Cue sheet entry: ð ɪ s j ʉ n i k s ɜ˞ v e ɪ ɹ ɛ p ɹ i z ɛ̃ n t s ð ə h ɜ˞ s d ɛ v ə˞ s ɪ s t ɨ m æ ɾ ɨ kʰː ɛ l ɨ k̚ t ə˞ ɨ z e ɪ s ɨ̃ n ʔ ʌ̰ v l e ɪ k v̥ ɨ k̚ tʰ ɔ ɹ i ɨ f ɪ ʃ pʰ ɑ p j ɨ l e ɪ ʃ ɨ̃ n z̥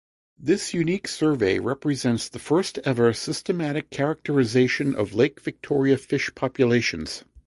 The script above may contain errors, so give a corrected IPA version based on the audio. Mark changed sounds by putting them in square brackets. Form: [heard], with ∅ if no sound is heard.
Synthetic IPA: ð ɪ s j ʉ n i k s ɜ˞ v e ɪ ɹ ɛ p ɹ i z ɛ̃ n t s ð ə [f] ɜ˞ s [t] ɛ v ə˞ s ɪ s t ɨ m æ ɾ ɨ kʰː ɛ [ɹ] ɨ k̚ t ə˞ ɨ z e ɪ [ʃ] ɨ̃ n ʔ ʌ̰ v l e ɪ k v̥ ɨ k̚ tʰ ɔ ɹ i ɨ f ɪ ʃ pʰ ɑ p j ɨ l e ɪ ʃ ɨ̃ n z̥